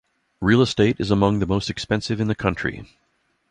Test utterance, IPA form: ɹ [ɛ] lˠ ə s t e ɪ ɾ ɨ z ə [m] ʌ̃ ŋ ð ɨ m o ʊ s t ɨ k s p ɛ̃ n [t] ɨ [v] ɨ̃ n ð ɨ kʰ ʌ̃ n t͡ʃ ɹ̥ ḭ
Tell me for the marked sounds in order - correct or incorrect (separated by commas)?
incorrect, correct, incorrect, correct